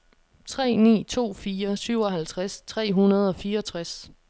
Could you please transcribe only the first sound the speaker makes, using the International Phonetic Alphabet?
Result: t͡sʰ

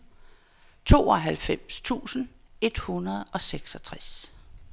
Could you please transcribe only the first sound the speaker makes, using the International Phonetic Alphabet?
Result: t͡sʰ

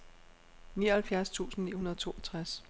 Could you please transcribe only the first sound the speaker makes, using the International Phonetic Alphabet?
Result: n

